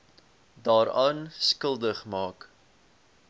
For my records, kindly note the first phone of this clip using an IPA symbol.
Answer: d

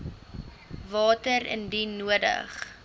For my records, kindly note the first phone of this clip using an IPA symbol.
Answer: v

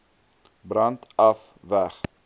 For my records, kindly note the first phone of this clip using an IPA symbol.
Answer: b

